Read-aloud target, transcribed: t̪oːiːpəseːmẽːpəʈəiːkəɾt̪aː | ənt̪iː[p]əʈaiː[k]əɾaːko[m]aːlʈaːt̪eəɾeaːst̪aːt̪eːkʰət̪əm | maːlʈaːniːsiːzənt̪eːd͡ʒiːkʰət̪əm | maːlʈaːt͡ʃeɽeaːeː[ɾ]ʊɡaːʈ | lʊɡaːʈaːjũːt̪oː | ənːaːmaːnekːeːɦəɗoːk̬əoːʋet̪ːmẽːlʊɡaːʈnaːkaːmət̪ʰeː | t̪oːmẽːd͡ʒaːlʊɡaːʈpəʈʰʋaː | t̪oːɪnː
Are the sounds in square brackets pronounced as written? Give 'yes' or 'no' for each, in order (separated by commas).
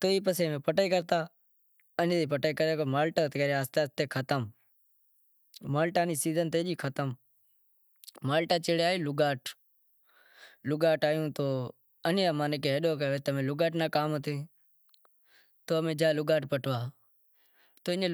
yes, yes, yes, no